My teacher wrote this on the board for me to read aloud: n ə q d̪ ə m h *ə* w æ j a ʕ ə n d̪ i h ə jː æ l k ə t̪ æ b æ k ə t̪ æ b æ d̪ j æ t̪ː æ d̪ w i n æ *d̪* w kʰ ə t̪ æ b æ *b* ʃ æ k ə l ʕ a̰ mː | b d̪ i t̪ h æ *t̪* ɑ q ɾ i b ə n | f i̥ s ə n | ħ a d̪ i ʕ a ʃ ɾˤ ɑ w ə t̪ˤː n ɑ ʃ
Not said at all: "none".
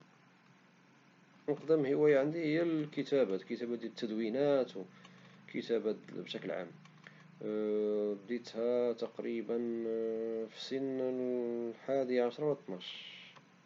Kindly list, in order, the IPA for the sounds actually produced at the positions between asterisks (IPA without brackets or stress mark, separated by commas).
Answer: ə, t̪, b, t̪